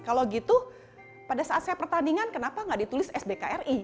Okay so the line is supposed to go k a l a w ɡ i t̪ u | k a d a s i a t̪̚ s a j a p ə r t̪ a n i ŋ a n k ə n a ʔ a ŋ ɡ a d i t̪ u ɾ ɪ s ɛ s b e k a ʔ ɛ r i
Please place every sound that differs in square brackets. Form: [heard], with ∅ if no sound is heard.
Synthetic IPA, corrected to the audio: k a l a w ɡ i t̪ u | [p] a d a s [a] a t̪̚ s a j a p ə r t̪ a n i ŋ a n k ə n a [p] a ŋ ɡ a d i t̪ u [l] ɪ s ɛ s b e k a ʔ ɛ r i

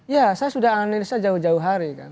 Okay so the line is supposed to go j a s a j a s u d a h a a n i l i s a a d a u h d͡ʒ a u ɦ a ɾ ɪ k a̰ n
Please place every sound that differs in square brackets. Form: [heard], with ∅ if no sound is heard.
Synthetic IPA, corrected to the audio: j a s a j a s u d a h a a n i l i s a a [d͡ʒ] a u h d͡ʒ a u ɦ a ɾ [i] k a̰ n

